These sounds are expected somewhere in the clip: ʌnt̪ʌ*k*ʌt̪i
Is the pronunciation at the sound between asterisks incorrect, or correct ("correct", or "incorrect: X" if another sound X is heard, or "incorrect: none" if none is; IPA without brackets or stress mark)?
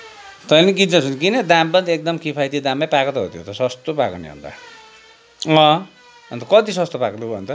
correct